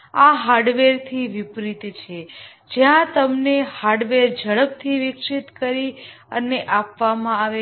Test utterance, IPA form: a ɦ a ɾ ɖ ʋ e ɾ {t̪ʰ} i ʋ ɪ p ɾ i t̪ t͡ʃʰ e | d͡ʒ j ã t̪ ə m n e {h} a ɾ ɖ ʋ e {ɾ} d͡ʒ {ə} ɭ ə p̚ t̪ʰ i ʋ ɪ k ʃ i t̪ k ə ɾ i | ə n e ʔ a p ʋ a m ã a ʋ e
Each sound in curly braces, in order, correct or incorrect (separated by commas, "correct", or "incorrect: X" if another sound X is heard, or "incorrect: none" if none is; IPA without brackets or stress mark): correct, correct, correct, correct